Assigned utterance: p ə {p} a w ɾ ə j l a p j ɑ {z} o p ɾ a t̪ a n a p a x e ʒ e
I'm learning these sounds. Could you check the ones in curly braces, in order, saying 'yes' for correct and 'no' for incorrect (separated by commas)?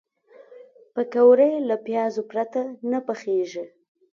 no, yes